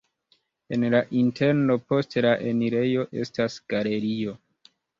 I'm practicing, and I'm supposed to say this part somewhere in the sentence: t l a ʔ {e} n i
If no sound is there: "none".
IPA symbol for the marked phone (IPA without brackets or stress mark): e